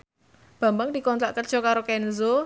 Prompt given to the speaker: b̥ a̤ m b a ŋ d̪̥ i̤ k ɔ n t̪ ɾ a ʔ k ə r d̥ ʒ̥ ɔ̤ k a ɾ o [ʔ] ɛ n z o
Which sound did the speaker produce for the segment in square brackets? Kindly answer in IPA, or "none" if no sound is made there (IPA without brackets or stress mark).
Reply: k